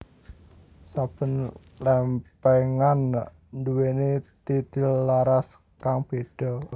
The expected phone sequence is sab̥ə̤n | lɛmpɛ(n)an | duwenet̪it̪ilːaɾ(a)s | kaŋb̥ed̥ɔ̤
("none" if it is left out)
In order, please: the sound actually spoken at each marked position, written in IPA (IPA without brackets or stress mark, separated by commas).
ŋ, a